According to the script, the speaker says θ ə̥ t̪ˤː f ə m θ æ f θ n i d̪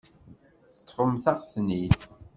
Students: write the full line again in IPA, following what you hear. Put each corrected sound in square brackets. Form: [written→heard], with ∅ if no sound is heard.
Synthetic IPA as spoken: θ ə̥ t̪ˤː f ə m θ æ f θ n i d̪